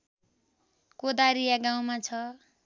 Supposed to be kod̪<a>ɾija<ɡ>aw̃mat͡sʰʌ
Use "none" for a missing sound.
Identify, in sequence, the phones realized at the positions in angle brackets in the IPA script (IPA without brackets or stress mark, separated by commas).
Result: a, ɡ